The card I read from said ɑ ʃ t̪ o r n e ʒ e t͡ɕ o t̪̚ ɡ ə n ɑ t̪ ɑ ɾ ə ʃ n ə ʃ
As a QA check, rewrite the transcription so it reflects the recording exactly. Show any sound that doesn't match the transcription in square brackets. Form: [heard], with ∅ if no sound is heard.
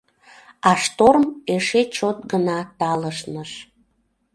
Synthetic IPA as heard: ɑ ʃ t̪ o r [m] e [ʃ] e t͡ɕ o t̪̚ ɡ ə n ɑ t̪ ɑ [l] ə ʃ n ə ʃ